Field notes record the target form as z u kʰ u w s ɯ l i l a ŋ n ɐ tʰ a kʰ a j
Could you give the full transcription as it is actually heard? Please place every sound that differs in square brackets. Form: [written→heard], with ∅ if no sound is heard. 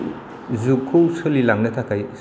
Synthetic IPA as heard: z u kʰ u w s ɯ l i l a ŋ n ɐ tʰ a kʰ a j